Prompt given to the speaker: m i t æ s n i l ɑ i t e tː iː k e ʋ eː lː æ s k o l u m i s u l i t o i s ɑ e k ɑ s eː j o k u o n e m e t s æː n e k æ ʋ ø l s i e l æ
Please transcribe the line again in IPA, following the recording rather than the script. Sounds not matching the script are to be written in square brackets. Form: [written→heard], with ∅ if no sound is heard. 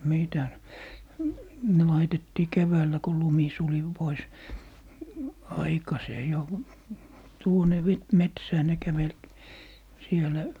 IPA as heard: m i t æ s n [i→e] l ɑ i t e tː iː k e ʋ [eː→æː] lː æ [s→∅] k o l u m i s u l i [t→p] o i s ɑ [e→i] k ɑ s eː j o [k→t] u o n e m e t s æː n e k æ ʋ [ø→e] l s i e l æ